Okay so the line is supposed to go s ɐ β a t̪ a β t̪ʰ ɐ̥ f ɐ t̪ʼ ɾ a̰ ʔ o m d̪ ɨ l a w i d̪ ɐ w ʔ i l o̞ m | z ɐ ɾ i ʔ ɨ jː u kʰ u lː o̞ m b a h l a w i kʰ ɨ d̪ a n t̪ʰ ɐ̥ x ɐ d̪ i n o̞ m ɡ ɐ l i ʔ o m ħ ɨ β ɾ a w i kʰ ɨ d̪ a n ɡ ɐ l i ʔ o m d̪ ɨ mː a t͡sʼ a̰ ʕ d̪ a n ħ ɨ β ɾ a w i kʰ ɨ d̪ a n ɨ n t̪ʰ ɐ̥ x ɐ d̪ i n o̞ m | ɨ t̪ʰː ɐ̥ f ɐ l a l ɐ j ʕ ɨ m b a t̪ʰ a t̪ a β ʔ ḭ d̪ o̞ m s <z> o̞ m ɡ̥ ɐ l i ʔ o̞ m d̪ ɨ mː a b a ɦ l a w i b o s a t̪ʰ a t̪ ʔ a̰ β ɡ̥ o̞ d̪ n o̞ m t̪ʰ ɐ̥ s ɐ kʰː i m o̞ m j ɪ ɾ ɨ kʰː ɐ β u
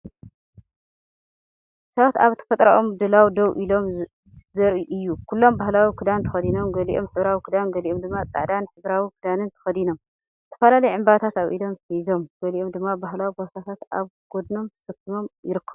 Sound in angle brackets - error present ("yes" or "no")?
no